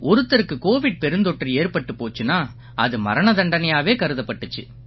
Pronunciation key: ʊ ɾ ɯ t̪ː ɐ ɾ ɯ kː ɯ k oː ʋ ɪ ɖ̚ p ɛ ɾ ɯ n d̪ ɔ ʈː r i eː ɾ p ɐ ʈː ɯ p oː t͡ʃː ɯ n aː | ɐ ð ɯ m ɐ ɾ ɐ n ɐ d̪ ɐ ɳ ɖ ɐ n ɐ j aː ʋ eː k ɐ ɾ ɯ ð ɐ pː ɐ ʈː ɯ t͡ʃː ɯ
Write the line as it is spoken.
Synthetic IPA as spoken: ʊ ɾ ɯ t̪ː ɐ ɾ ɯ kː ɯ k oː ʋ ɪ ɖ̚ p ɛ ɾ ɯ n d̪ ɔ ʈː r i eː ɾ p ɐ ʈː ɯ p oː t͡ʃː ɯ n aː | ɐ ð ɯ m ɐ ɾ ɐ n ɐ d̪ ɐ ɳ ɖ ɐ n ɐ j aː ʋ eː k ɐ ɾ ɯ ð ɐ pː ɐ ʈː ɯ t͡ʃː ɯ